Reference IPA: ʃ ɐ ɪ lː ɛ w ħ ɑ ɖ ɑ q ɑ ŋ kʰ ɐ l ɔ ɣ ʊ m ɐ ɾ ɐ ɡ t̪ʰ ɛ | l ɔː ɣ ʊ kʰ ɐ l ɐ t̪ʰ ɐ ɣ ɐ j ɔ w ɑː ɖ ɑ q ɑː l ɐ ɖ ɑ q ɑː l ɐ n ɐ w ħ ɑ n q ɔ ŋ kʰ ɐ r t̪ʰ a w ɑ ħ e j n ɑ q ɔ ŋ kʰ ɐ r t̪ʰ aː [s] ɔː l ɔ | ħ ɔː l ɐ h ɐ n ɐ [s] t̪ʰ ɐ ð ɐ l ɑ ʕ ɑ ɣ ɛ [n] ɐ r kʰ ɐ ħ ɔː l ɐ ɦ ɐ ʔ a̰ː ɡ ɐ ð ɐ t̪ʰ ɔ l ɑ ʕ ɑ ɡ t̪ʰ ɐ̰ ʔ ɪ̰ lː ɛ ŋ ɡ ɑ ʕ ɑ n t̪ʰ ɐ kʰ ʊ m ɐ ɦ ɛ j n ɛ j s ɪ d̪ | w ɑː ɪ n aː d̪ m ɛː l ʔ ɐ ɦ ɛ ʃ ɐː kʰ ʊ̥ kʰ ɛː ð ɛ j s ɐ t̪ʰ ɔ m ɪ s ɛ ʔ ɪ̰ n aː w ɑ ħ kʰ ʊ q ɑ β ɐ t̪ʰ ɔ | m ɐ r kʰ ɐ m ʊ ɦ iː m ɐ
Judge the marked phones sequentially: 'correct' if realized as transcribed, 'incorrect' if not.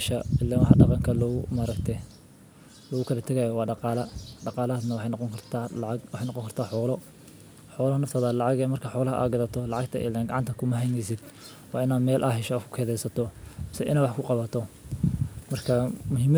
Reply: incorrect, incorrect, incorrect

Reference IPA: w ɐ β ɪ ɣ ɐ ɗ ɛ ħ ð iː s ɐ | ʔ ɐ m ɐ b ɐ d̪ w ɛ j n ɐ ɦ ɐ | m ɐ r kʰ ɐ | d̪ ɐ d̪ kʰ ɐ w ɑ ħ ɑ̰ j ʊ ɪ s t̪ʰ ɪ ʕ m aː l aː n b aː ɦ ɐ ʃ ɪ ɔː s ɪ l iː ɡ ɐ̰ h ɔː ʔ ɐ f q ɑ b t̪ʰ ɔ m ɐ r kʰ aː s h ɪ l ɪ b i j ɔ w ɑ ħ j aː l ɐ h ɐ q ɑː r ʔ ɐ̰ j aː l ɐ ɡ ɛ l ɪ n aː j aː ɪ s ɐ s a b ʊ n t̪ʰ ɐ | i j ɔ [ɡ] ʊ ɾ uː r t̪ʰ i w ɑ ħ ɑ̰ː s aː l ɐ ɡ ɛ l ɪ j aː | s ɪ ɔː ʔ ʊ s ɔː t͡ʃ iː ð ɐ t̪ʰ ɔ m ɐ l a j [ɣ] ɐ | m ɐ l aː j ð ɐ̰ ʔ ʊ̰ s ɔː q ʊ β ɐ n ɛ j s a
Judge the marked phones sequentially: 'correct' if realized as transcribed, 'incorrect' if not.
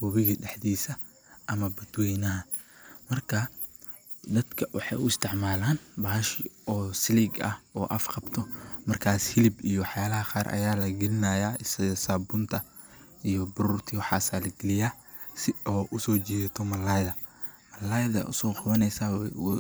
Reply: incorrect, incorrect

